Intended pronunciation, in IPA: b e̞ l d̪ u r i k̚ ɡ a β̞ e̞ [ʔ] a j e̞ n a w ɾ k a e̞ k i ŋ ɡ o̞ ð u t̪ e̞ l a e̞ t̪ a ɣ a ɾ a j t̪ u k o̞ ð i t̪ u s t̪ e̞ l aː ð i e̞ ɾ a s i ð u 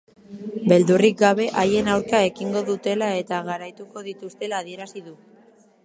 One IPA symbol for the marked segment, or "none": ʔ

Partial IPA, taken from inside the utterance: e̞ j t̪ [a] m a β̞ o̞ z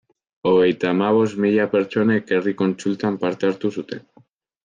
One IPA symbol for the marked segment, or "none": a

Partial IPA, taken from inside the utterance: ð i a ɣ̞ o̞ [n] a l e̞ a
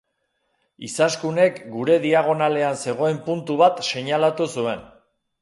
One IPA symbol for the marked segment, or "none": n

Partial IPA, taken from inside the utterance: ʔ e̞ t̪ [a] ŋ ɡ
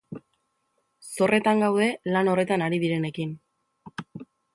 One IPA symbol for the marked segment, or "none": a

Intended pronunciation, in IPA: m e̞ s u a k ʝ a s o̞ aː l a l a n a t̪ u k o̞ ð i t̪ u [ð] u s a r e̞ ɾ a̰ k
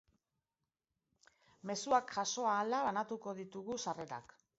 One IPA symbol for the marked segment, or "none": ɣ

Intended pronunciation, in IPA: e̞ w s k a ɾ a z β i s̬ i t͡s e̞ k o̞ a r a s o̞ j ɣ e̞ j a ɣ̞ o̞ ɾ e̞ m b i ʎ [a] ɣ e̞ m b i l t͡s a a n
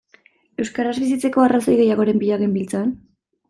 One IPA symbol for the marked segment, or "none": a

